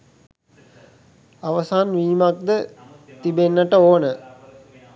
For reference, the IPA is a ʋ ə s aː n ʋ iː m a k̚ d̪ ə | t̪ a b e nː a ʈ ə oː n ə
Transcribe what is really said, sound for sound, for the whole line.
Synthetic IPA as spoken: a ʋ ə s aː n ʋ iː m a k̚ d̪ ə | t̪ i b e nː ə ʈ ə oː n ə